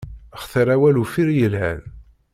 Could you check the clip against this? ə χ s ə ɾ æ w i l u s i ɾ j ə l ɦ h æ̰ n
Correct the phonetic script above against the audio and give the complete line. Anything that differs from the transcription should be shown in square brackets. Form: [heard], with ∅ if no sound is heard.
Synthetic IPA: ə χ [θ] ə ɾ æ w [æ] l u [f] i ɾ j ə l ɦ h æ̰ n